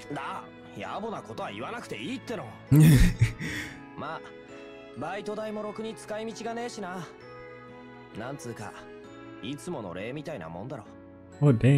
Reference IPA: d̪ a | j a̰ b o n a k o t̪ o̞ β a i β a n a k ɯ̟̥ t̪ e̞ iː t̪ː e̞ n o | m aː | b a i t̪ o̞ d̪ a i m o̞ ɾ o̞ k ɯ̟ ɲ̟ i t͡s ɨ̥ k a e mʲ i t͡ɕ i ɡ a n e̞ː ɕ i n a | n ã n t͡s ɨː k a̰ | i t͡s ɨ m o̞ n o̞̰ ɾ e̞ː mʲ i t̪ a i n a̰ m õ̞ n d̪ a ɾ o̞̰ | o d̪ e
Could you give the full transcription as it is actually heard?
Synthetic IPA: d̪ a | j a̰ b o n a k o t̪ o̞ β a i β a n a k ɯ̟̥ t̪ e̞ iː t̪ː e̞ n o | m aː | b a i t̪ o̞ d̪ a i m o̞ ɾ o̞ k ɯ̟ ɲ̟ i t͡s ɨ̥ k a i mʲ i t͡ɕ i ɡ a n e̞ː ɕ i n a | n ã n t͡s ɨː k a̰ | i t͡s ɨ m o̞ n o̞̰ ɾ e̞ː mʲ i t̪ a i n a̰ m õ̞ n d̪ a ɾ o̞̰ | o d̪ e

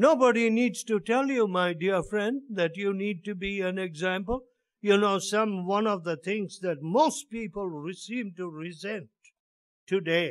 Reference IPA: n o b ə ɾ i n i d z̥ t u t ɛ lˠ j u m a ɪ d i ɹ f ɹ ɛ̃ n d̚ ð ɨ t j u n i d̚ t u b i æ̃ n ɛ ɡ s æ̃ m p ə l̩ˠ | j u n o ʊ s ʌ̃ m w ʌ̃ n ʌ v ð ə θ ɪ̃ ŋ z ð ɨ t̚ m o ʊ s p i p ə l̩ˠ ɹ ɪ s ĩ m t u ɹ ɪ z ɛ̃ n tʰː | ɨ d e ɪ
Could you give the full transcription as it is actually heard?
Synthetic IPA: n o b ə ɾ i n i d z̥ t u t ɛ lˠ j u m a ɪ d i ɹ f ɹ ɛ̃ n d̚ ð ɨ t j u n i d̚ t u b i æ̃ n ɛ ɡ z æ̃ m p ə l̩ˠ | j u n o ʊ s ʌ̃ m w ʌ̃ n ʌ v ð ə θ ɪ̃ ŋ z ð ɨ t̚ m o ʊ s p i p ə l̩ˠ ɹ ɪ s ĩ m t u ɹ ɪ z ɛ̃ n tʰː | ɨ d e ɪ

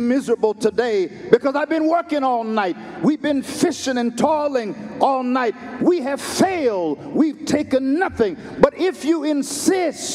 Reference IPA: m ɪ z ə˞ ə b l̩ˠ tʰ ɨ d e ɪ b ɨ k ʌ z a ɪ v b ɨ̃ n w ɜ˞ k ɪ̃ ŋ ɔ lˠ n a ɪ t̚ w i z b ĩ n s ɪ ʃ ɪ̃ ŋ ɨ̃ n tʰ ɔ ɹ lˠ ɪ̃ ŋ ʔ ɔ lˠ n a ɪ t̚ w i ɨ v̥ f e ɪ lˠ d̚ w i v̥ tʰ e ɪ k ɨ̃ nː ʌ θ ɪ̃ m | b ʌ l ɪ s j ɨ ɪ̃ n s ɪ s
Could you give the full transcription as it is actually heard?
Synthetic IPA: m ɪ z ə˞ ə b l̩ˠ tʰ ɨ d e ɪ b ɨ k ʌ z a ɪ v b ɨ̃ n w ɜ˞ k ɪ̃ ŋ ɔ lˠ n a ɪ t̚ w i v b ɨ̃ n f ɪ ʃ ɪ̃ ŋ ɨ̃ n tʰ ɔ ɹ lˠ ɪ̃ ŋ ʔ ɔ lˠ n a ɪ t̚ w i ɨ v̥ f e ɪ lˠ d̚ w i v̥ tʰ e ɪ k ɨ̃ nː ʌ θ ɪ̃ ŋ | b ʌ ɾ ɪ f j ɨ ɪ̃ n s ɪ s

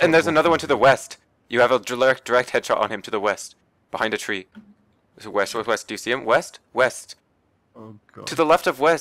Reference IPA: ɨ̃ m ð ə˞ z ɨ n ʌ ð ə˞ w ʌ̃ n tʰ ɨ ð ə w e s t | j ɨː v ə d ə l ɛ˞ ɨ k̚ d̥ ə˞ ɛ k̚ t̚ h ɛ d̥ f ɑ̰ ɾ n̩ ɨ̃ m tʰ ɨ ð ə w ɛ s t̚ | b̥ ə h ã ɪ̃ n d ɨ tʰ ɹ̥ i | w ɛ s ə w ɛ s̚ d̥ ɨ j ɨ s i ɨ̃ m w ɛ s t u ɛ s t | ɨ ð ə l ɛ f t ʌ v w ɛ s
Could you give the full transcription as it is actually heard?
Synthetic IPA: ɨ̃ n ð ə˞ z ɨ n ʌ ð ə˞ w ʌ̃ n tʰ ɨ ð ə w ɛ s t | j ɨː v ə d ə l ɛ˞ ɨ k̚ d̥ ə˞ ɛ k̚ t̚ h ɛ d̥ ʃ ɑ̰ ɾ n̩ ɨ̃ m tʰ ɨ ð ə w ɛ s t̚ | b̥ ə h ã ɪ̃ n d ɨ tʰ ɹ̥ i | w ɛ s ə w ɛ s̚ d̥ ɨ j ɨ s i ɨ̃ m w ɛ s t w ɛ s t | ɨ ð ə l ɛ f t ʌ v w ɛ s

